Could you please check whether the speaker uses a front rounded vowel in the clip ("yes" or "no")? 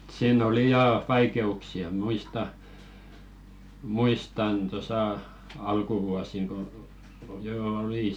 no